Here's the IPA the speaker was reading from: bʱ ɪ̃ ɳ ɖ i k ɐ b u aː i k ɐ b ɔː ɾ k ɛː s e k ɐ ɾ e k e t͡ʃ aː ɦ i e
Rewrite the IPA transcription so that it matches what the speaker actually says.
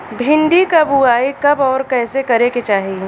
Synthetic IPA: bʱ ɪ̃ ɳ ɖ i k ɐ b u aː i k ɐ b ɔː ɾ k ɛː s e k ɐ ɾ e k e t͡ʃ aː ɦ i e